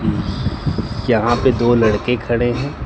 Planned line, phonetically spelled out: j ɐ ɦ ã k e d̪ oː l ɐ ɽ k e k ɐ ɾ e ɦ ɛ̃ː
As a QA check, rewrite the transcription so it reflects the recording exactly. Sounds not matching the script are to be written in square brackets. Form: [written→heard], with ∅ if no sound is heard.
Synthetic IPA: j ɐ ɦ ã [k→p] e d̪ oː l ɐ ɽ k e [k→kʰ] ɐ [ɾ→ɽ] e ɦ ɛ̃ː

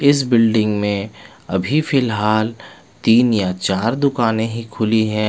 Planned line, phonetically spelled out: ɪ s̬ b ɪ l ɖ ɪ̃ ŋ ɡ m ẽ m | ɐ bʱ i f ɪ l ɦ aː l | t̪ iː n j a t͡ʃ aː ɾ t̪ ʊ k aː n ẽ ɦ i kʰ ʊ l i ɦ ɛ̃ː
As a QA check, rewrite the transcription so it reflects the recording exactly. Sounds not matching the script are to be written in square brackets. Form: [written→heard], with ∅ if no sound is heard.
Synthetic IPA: ɪ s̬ b ɪ l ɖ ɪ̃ ŋ ɡ m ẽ [m→∅] | ɐ bʱ i f ɪ l ɦ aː l | t̪ iː n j a t͡ʃ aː ɾ [t̪→d̪] ʊ k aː n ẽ ɦ i kʰ ʊ l i ɦ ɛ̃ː

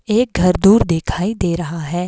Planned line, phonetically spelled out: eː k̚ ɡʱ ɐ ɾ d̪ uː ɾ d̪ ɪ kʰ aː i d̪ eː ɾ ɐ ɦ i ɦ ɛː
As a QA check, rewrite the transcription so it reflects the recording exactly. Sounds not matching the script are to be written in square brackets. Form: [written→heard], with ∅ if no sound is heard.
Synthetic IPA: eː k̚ ɡʱ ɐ ɾ d̪ uː ɾ d̪ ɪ kʰ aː i d̪ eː ɾ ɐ ɦ [i→a] ɦ ɛː

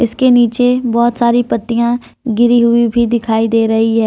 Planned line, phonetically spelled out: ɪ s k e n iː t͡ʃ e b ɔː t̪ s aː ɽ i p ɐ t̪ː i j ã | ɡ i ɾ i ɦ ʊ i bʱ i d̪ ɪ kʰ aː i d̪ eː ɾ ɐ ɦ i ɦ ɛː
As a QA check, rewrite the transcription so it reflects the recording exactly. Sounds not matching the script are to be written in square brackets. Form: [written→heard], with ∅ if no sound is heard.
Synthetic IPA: ɪ s k e n iː t͡ʃ e b ɔː t̪ s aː [ɽ→ɾ] i p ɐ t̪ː i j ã | ɡ [i→ɪ] ɾ i ɦ ʊ i bʱ i d̪ ɪ kʰ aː i d̪ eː ɾ ɐ ɦ i ɦ ɛː

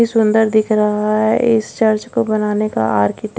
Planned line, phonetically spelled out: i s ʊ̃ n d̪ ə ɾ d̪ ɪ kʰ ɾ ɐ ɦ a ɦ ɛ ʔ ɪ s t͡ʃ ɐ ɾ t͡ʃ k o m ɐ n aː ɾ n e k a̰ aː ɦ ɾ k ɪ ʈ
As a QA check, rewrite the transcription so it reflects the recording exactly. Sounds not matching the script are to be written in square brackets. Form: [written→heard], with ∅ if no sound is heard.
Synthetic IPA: i s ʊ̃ n d̪ ə ɾ d̪ ɪ kʰ ɾ ɐ ɦ a ɦ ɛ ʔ ɪ s t͡ʃ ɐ ɾ t͡ʃ k o [m→b] ɐ n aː [ɾ→∅] n e k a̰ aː [ɦ→∅] ɾ k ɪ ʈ

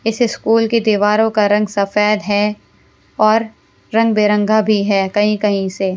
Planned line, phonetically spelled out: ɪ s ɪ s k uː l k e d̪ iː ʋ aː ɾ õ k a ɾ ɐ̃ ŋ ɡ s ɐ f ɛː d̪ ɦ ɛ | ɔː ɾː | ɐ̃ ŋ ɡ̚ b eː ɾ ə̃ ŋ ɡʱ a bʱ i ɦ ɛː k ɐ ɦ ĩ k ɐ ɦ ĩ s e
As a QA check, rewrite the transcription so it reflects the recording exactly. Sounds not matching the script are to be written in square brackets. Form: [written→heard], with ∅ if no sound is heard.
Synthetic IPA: ɪ s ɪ s k uː l k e d̪ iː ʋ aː ɾ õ k a ɾ ɐ̃ ŋ ɡ s ɐ f ɛː d̪ ɦ ɛ | ɔː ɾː | ɐ̃ ŋ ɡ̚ b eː ɾ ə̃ ŋ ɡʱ a bʱ i ɦ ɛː k ɐ ɦ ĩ k ɐ ɦ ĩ s e

